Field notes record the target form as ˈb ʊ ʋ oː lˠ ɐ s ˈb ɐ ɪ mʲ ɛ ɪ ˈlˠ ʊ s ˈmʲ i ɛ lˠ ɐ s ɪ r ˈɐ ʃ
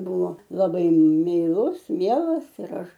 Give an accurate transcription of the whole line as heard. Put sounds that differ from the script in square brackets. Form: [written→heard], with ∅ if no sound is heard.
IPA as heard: ˈb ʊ ʋ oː lˠ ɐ [s→∅] ˈb ɐ ɪ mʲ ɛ ɪ ˈlˠ ʊ s ˈmʲ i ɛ lˠ ɐ s ɪ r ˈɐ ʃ